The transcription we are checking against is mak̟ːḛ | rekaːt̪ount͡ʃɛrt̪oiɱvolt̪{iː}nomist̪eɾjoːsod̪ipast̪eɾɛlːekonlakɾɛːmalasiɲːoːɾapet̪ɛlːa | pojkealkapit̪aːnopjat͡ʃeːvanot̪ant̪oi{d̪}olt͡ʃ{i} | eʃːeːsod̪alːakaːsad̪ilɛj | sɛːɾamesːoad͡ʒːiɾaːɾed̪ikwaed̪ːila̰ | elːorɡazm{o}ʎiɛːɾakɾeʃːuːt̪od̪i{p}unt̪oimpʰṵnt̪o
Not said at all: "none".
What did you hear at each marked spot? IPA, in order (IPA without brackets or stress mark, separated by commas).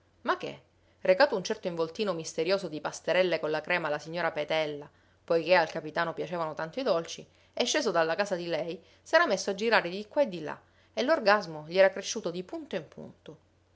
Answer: iː, d̪, i, o, p